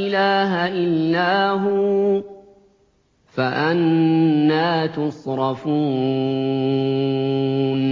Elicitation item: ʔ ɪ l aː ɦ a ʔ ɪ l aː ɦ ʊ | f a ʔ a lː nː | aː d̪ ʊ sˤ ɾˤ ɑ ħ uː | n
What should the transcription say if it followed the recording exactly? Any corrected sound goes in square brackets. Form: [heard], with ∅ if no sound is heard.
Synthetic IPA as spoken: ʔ ɪ l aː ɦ a ʔ ɪ [lː] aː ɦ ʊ | f a ʔ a [∅] nː | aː [t̪] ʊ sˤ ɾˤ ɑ [f] uː | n